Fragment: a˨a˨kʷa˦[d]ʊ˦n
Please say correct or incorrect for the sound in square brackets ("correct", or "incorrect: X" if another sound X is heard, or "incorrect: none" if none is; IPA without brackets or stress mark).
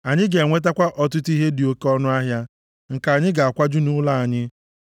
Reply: incorrect: d͡ʒ